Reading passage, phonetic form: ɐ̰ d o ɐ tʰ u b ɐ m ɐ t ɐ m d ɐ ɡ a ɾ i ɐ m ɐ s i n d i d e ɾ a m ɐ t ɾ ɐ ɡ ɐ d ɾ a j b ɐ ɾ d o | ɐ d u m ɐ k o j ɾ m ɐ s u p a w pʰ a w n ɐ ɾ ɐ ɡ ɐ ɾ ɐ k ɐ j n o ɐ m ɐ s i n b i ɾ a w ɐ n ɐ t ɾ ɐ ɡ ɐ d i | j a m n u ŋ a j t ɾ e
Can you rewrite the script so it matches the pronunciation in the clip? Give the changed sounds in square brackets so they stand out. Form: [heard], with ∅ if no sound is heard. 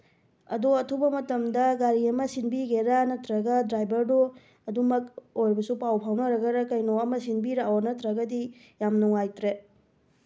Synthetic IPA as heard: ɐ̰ d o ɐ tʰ u b ɐ m ɐ t ɐ m d ɐ ɡ a ɾ i ɐ m ɐ s i n [b] i [ɡ] e ɾ a [n] ɐ t ɾ ɐ ɡ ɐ d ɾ a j b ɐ ɾ d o | ɐ d u m ɐ k o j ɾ [b] ɐ s u p a w pʰ a w n ɐ ɾ ɐ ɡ ɐ ɾ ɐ k ɐ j n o ɐ m ɐ s i n b i ɾ a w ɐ n ɐ t ɾ ɐ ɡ ɐ d i | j a m n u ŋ a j t ɾ e